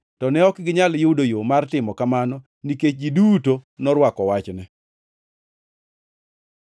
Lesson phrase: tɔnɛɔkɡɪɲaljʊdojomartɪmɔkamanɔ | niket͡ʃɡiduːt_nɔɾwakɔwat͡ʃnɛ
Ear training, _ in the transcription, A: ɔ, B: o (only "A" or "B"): B